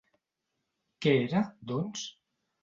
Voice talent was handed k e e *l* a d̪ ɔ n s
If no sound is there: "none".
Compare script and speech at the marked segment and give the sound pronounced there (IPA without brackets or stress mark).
ɾ